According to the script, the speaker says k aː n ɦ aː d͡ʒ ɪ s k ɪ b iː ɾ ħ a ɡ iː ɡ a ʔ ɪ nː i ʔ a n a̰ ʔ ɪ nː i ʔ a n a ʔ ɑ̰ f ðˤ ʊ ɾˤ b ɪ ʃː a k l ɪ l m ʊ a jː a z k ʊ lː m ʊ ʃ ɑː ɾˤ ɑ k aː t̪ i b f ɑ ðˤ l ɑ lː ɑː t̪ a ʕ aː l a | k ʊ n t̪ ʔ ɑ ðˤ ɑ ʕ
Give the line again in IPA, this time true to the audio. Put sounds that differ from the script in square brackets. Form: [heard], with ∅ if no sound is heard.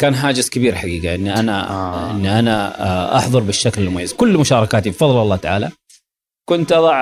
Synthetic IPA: k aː n ɦ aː d͡ʒ ɪ s k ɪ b iː ɾ ħ a ɡ iː ɡ a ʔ ɪ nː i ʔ a n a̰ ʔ ɪ nː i ʔ a n a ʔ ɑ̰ [ħ] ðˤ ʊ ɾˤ b ɪ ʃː a k l ɪ l m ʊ a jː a z k ʊ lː m ʊ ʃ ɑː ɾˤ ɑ k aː t̪ i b f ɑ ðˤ l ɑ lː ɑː t̪ a ʕ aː l a | k ʊ n t̪ ʔ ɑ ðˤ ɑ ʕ